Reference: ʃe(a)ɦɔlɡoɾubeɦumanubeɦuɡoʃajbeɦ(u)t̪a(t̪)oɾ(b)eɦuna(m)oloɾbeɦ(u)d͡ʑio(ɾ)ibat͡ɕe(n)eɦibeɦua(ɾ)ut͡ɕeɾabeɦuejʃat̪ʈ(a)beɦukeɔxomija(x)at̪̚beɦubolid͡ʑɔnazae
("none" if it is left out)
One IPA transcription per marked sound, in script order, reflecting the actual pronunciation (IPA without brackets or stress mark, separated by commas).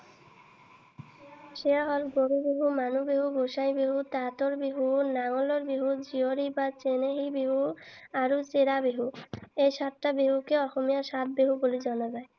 a, u, t̪, b, ŋ, u, ɾ, n, ɾ, a, ʃ